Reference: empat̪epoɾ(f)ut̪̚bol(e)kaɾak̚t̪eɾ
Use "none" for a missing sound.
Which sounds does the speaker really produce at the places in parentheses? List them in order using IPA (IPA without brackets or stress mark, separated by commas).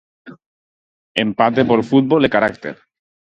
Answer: f, e